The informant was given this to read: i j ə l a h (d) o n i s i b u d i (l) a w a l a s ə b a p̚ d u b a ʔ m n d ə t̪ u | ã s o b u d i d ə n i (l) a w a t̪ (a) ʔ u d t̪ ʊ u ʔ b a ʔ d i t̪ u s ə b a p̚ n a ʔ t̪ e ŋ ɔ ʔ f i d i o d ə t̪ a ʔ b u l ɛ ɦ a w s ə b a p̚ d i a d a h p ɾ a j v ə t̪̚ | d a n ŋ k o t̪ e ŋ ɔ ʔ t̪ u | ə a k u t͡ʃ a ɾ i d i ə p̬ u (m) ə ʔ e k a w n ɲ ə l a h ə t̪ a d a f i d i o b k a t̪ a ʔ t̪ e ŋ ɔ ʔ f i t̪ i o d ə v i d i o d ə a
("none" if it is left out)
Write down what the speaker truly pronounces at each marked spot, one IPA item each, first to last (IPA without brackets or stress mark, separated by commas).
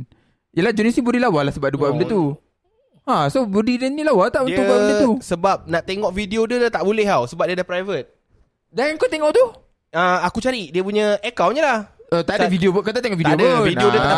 d͡ʒ, l, l, a, ɲ